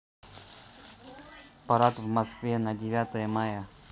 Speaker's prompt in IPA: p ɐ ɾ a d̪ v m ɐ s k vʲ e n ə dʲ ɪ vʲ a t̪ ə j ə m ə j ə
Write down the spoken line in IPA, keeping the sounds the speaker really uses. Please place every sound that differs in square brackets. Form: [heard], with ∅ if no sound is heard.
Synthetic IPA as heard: p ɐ ɾ a [t̪] v m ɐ s k vʲ e n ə dʲ ɪ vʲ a t̪ ə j ə m [a] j ə